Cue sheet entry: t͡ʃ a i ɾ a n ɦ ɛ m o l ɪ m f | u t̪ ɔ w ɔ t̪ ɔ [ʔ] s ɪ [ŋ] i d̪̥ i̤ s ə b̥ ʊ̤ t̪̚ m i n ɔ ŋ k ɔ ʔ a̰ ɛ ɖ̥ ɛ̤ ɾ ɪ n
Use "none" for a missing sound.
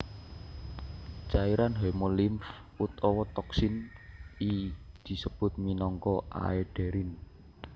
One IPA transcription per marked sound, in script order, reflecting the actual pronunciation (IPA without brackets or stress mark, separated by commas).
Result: k, n